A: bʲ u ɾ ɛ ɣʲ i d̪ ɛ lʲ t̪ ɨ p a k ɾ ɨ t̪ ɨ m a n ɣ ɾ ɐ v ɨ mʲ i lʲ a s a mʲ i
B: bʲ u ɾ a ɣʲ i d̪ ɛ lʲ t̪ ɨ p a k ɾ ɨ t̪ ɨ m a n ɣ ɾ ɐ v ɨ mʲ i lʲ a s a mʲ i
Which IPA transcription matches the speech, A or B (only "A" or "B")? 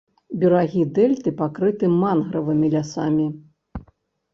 B